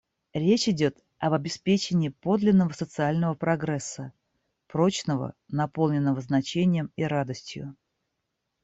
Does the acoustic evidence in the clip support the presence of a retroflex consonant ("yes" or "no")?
no